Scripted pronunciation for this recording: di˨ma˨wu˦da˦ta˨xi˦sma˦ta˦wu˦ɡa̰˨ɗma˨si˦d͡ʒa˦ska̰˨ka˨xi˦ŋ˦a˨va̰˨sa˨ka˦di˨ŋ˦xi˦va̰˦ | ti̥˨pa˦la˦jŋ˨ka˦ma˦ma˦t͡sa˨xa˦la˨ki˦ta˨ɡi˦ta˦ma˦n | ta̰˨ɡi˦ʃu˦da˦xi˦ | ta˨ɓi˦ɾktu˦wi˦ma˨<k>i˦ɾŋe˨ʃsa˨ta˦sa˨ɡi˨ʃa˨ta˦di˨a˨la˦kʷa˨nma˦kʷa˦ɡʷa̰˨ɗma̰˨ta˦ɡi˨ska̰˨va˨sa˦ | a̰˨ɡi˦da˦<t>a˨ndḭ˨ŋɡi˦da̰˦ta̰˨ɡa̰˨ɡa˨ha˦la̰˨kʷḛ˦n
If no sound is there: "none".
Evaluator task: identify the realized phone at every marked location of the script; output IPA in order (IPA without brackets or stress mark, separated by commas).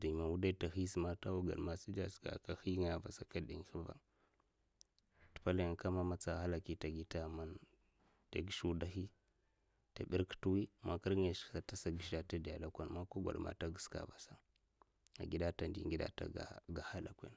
k, t